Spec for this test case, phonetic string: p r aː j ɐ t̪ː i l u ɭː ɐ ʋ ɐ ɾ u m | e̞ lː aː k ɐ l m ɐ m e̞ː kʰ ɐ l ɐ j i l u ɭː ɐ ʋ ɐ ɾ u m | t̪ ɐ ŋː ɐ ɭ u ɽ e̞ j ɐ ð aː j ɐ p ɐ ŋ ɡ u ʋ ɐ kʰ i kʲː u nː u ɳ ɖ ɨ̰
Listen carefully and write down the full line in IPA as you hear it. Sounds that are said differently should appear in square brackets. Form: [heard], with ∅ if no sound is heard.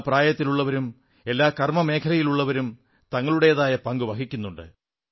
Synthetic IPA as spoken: p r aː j ɐ t̪ː i l u ɭː ɐ ʋ ɐ ɾ u m | e̞ lː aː k ɐ [r] m ɐ m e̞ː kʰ ɐ l ɐ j i l u ɭː ɐ ʋ ɐ ɾ u m | t̪ ɐ ŋː ɐ ɭ u ɽ e̞ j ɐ ð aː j ɐ p ɐ ŋ ɡ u ʋ ɐ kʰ i kʲː u nː u ɳ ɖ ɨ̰